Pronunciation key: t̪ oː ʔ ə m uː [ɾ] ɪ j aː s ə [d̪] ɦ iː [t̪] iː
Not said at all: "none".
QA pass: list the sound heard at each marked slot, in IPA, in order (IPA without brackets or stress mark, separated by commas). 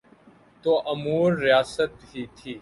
ɾː, t̪, t̪ʰ